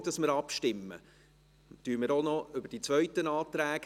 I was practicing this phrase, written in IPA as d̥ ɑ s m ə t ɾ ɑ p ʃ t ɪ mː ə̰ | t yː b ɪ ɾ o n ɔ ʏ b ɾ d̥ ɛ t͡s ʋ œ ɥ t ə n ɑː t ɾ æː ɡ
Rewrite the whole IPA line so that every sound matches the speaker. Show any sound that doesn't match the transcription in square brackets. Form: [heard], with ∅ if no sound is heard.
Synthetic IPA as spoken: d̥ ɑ s m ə [∅] ɾ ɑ p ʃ t ɪ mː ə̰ | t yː [m] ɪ ɾ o n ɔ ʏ b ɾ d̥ [i] t͡s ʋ œ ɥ t ə n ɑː t ɾ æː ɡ